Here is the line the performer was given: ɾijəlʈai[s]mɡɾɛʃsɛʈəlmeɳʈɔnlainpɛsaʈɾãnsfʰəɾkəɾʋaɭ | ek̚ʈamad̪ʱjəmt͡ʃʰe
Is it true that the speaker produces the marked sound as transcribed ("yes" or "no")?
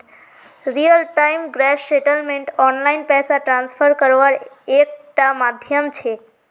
no